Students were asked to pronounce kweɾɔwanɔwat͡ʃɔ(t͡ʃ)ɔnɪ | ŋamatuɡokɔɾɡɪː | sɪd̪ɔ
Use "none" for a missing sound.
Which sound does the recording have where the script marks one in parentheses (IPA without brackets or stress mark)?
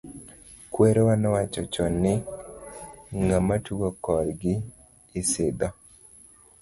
t͡ʃ